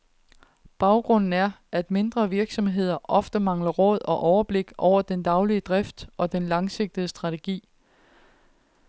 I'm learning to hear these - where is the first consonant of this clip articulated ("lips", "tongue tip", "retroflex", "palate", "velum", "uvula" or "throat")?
lips